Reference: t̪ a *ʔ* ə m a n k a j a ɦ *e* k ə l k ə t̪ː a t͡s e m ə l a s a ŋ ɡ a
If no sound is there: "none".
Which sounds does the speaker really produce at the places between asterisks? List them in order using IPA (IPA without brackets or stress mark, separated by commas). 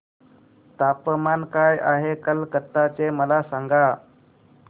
p, e